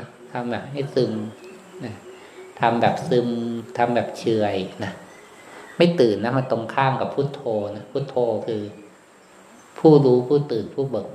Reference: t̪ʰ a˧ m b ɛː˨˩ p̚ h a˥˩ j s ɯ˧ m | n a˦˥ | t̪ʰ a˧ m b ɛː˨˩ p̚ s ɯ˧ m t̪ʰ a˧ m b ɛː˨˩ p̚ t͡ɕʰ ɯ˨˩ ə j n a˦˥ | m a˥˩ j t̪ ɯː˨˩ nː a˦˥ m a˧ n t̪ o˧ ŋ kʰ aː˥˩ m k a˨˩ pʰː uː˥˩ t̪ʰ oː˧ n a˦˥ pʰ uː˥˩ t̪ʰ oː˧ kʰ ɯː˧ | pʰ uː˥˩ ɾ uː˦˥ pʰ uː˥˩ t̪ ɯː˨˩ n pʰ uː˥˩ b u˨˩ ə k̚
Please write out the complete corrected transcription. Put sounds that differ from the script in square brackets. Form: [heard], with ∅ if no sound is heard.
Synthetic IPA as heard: t̪ʰ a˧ m b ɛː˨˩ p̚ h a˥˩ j s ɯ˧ m | n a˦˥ | t̪ʰ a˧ m b ɛː˨˩ p̚ s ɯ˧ m t̪ʰ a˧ m b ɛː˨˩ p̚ t͡ɕʰ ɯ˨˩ ə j n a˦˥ | m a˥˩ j t̪ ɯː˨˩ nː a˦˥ m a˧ n t̪ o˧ ŋ kʰ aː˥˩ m k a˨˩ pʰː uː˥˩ t̪ʰ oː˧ n a˦˥ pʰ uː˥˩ t̪ʰ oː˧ kʰ ɯː˧ | pʰ uː˥˩ ɾ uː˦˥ pʰ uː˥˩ t̪ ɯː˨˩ n pʰ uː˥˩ b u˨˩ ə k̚